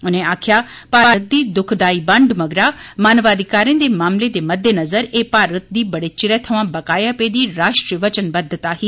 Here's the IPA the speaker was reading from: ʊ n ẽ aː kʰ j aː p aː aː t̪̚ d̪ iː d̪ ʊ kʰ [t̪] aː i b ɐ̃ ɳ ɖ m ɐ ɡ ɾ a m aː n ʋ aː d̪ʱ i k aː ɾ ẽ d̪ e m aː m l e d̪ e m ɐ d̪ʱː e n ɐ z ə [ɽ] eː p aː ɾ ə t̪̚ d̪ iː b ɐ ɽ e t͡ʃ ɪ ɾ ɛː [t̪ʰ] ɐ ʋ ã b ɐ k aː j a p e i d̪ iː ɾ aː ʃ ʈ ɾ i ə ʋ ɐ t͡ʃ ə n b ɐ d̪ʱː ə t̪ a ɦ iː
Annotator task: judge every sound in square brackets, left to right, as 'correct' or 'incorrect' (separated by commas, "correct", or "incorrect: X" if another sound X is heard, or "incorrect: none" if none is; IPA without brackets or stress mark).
incorrect: d̪, incorrect: ɾ, correct